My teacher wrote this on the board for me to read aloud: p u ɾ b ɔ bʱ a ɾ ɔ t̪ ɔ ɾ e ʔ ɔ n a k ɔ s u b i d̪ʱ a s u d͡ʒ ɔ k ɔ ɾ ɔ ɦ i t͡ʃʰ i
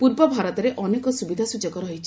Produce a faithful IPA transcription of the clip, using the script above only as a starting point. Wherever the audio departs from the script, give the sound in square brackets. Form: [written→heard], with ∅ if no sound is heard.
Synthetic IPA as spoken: p u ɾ b ɔ bʱ a ɾ ɔ t̪ ɔ ɾ e ʔ ɔ n [a→e] k ɔ s u b i d̪ʱ a s u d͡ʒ ɔ k ɔ ɾ ɔ ɦ i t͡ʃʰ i